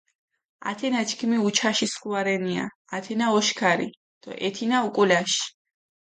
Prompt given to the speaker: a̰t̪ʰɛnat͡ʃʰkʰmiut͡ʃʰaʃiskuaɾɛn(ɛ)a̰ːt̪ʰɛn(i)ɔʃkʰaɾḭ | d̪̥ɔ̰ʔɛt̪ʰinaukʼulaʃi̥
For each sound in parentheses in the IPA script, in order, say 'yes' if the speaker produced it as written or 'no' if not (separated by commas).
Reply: no, no